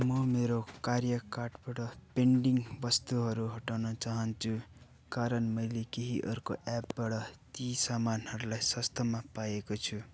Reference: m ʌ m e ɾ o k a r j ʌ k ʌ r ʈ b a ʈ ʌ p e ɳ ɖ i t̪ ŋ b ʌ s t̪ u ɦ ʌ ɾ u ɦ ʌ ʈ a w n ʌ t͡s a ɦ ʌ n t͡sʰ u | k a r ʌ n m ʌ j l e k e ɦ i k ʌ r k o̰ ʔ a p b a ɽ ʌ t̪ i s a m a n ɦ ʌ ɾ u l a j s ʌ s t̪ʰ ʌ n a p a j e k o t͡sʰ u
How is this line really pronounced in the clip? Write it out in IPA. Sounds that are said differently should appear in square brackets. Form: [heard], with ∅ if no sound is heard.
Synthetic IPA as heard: m ʌ m e ɾ o k a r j ʌ k [a] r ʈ b a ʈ ʌ p e ɳ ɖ i [∅] ŋ b ʌ s t̪ u ɦ ʌ ɾ u ɦ ʌ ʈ a w n ʌ t͡s a ɦ ʌ n t͡sʰ u | k a [ɾ] ʌ n m ʌ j l e k e ɦ i [ʔ] ʌ r k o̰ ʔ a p b a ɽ ʌ t̪ i s a m a n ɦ ʌ ɾ u l a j s ʌ s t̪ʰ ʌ [m] a p a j e k o t͡sʰ u